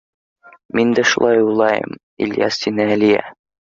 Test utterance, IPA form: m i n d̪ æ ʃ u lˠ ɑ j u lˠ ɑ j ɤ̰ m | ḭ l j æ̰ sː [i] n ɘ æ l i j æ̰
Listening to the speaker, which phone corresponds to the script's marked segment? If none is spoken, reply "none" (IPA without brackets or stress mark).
i